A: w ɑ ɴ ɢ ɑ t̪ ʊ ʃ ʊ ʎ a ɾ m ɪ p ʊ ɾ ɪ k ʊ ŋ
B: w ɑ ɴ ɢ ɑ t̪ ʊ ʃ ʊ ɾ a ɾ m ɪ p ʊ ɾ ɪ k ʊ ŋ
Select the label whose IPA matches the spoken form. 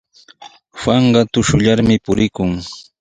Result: A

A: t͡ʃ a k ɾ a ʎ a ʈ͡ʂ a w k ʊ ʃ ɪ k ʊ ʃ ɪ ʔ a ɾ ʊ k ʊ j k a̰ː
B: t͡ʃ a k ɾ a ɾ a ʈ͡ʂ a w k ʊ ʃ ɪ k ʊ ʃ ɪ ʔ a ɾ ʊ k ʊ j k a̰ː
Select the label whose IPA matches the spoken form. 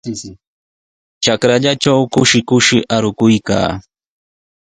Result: A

